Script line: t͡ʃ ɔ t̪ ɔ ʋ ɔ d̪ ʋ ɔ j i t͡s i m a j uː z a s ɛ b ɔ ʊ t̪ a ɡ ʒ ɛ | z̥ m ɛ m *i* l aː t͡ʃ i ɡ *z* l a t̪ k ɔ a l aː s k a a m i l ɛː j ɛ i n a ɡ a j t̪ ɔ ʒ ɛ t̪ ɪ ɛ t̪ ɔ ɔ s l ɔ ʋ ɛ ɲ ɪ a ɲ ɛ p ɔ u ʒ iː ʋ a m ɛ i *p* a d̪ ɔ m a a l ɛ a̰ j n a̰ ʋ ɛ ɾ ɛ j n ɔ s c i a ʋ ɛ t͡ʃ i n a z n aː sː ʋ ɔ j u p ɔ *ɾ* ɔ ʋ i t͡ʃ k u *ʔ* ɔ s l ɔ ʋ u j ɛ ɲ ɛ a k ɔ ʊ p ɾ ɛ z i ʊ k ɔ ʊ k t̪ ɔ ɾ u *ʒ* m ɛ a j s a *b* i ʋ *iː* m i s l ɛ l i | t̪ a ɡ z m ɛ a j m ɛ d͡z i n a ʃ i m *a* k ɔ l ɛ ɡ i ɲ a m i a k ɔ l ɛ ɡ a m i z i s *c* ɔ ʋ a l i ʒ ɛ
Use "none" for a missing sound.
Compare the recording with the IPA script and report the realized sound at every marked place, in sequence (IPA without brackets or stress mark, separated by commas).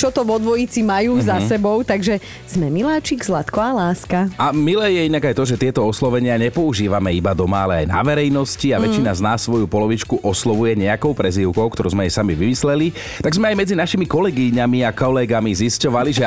i, z, b, l, ʔ, z, m, i, i, c